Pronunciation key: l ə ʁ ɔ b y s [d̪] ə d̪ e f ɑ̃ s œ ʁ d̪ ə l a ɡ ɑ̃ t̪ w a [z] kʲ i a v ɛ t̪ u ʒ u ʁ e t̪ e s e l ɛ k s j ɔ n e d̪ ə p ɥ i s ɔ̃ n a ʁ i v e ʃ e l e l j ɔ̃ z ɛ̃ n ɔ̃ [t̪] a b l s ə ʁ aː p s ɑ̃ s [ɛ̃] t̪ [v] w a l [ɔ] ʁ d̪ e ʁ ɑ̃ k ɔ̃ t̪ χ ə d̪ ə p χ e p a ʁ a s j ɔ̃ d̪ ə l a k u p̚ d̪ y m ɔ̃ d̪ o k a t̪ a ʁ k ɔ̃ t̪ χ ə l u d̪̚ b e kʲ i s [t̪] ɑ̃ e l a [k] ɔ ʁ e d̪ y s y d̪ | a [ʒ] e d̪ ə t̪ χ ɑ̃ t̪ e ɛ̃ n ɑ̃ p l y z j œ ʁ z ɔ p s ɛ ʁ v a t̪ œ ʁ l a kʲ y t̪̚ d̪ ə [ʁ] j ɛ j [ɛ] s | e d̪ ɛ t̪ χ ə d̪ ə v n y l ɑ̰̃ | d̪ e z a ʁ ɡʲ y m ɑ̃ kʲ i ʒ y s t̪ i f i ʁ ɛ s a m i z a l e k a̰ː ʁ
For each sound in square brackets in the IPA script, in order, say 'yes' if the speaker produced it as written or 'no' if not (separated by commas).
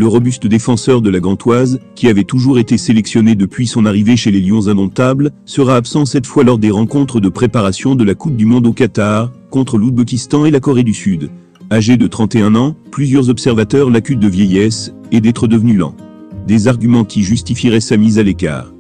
no, yes, yes, no, no, yes, yes, yes, yes, no, yes